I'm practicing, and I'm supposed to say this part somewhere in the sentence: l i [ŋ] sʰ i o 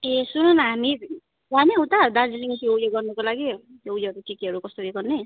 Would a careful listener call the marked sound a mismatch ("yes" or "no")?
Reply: no